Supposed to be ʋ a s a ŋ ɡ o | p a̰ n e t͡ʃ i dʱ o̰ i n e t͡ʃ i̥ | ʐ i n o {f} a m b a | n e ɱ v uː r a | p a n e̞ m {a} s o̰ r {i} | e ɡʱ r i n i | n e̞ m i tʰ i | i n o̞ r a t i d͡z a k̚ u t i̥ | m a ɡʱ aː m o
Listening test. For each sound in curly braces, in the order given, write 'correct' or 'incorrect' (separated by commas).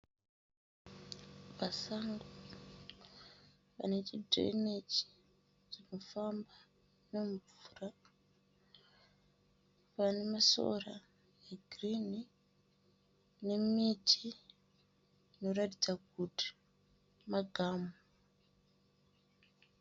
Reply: correct, correct, incorrect